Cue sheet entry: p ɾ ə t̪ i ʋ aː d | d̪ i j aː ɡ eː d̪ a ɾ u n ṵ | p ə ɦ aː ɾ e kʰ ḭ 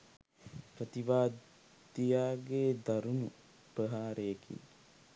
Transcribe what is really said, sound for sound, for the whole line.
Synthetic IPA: p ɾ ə t̪ i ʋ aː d | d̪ i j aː ɡ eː d̪ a ɾ u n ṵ | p ə ɦ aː ɾ e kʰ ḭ